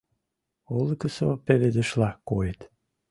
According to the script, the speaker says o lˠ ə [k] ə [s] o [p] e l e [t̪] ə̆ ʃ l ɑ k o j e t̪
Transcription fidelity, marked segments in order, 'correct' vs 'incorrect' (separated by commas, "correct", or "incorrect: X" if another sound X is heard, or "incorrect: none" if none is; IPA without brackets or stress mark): correct, correct, correct, incorrect: d̪